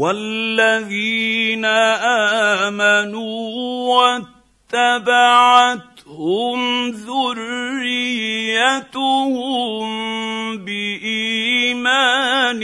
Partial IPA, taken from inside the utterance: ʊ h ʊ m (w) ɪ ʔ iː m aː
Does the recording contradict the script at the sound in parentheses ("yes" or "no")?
yes